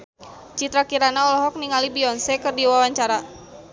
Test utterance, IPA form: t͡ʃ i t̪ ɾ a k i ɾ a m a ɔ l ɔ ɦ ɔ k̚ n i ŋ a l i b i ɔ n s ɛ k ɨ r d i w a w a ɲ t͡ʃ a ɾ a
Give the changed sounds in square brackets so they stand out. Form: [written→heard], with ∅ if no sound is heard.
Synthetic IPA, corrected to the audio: t͡ʃ i t̪ ɾ a k i ɾ a [m→n] a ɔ l ɔ ɦ ɔ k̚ n i ŋ a l i b i ɔ n s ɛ k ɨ r d i w a w a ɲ t͡ʃ a ɾ a